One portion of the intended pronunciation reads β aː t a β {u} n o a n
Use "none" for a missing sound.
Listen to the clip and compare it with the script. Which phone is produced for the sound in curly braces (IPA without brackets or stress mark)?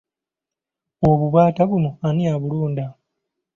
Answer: u